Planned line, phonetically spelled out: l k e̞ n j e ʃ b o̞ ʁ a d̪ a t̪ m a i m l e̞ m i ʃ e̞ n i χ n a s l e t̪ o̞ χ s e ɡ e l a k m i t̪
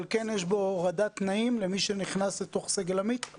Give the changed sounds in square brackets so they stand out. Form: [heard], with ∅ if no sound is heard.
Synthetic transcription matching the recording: l k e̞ n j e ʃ b o̞ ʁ a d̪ a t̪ [n] a i m l e̞ m i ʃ e̞ n i χ n a s l e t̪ o̞ χ s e ɡ e l a [∅] m i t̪